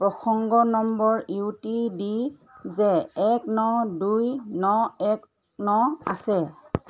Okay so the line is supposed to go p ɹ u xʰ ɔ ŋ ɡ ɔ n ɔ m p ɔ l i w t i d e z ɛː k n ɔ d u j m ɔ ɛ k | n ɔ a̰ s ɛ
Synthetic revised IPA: p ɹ ɔ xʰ ɔ ŋ ɡ ɔ n ɔ m b ɔ ɹ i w t i d i z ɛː k n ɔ d u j n ɔ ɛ k | n ɔ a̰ s ɛ